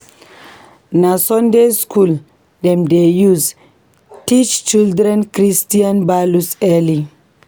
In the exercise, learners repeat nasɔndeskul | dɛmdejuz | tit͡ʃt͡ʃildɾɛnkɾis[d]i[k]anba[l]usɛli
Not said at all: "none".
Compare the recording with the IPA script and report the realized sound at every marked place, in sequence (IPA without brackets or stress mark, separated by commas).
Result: t, none, l